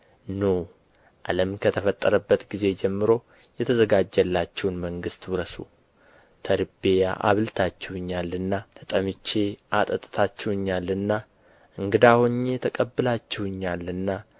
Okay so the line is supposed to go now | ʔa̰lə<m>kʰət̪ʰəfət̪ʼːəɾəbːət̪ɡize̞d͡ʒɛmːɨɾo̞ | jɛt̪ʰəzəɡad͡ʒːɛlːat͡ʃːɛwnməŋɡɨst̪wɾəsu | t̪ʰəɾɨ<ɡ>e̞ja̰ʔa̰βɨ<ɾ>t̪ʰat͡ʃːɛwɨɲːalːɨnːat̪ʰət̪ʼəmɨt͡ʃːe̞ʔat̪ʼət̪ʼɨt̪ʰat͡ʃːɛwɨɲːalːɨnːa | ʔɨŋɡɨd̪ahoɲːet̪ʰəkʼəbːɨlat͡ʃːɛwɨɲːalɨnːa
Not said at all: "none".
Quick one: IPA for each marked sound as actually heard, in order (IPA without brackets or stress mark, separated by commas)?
m, b, l